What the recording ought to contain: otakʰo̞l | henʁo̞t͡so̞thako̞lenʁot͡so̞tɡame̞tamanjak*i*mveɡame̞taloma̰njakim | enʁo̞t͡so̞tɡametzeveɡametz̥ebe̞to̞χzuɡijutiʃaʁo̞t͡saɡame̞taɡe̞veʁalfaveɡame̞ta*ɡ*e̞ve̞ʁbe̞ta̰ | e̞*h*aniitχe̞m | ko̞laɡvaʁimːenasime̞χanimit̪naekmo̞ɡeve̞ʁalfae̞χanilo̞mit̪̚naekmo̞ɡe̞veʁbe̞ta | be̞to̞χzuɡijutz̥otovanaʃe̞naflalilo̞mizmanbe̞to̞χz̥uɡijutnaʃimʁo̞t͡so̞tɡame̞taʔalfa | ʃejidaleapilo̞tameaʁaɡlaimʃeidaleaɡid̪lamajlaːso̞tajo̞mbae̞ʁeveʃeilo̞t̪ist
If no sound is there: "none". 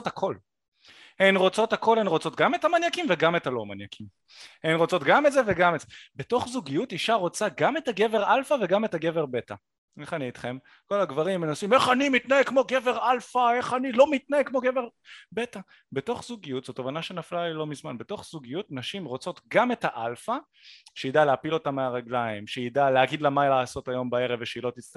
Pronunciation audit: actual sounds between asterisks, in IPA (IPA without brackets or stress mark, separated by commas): i, ɡ, χ